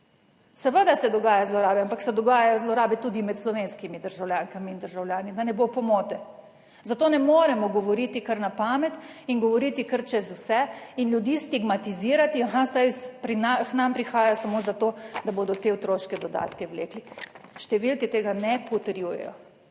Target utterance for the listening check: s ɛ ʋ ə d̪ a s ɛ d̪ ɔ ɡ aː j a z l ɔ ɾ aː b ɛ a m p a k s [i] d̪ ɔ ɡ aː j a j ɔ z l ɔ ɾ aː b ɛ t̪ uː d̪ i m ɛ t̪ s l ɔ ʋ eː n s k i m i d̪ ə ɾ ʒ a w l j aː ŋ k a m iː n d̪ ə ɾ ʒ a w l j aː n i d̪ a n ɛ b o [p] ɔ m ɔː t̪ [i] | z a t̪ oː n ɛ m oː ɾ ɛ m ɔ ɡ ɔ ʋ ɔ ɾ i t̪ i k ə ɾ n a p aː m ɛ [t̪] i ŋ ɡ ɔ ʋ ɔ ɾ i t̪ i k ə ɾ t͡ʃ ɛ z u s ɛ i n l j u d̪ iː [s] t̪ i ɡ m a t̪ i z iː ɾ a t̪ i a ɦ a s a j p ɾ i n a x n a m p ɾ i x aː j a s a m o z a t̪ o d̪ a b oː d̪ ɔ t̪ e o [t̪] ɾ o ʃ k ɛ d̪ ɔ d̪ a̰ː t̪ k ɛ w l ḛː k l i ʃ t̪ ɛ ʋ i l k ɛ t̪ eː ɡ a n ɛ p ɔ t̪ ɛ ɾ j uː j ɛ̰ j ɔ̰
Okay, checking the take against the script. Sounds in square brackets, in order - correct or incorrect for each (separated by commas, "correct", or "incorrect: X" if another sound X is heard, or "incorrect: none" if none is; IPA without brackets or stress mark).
incorrect: ɛ, correct, incorrect: ɛ, correct, correct, correct